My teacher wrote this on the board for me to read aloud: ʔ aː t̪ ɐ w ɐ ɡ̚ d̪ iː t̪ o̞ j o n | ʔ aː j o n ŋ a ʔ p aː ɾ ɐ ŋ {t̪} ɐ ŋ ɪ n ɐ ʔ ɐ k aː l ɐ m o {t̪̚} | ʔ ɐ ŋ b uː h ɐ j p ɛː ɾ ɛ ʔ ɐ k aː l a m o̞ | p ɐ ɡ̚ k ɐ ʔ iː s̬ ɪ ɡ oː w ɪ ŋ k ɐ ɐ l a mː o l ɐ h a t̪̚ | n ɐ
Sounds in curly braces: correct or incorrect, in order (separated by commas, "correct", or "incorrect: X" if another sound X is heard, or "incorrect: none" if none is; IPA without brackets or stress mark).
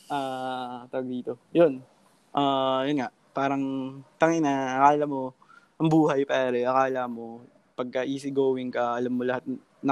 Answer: correct, incorrect: none